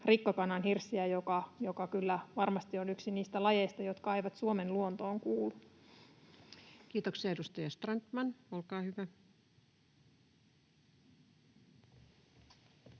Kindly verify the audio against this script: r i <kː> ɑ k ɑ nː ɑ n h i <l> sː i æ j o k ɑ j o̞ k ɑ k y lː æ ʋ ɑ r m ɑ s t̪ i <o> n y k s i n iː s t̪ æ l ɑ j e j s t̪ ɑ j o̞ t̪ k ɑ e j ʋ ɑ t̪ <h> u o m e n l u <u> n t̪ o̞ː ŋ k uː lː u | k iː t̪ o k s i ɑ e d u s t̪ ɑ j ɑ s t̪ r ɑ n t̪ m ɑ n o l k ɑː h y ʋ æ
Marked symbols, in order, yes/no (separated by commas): yes, no, yes, no, no